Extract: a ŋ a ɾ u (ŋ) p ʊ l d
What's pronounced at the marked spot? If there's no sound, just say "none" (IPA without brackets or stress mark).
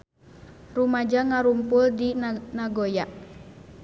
m